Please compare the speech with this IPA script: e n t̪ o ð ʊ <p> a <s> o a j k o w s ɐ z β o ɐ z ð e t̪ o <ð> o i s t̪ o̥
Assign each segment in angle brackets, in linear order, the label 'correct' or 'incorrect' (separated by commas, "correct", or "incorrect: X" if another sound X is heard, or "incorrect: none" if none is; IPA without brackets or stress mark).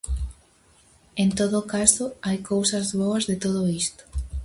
incorrect: k, correct, correct